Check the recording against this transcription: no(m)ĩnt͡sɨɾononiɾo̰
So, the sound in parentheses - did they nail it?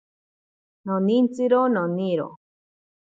no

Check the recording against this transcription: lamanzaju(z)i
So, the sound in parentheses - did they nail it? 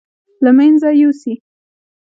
no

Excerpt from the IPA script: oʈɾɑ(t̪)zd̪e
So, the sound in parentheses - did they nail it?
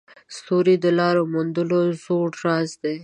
no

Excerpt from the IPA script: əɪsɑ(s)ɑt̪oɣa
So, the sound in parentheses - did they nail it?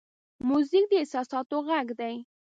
yes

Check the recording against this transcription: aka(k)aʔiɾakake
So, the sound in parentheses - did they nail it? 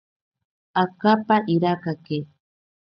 no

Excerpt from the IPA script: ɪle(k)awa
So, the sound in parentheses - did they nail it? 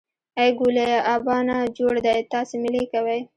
yes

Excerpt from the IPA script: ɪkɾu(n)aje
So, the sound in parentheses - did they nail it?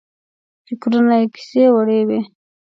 yes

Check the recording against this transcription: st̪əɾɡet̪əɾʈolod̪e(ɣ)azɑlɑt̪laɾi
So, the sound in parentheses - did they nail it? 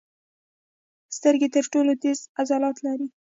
no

